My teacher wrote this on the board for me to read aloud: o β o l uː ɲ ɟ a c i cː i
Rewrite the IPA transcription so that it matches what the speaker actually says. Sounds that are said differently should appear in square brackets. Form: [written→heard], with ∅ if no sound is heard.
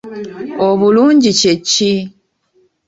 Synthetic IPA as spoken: o β [o→u] l uː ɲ ɟ [a→i] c [i→e] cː i